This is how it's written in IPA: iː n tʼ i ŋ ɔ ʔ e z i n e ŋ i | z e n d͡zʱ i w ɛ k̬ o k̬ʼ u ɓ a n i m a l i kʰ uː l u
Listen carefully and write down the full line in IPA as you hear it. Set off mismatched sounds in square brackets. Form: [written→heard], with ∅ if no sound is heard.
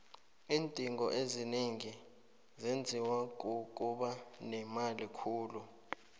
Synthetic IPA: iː n tʼ i ŋ ɔ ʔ e z i n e ŋ i | z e n d͡zʱ i w [ɛ→a] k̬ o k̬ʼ u ɓ a n [i→ɛ] m a l i kʰ uː l u